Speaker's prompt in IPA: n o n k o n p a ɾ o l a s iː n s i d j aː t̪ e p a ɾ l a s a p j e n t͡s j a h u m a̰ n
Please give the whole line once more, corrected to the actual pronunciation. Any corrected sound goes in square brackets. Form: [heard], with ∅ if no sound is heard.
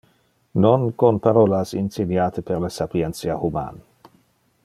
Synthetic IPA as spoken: n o n k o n p a ɾ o l a s [i] n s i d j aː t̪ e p [e] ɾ l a s a p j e n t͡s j a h u m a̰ n